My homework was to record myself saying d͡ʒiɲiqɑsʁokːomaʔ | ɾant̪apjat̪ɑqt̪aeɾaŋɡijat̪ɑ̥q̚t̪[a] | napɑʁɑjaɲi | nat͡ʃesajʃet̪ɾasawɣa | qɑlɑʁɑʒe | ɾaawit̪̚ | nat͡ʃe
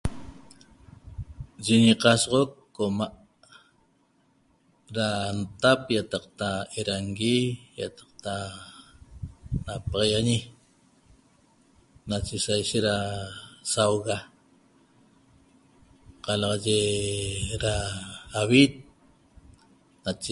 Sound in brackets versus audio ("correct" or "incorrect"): correct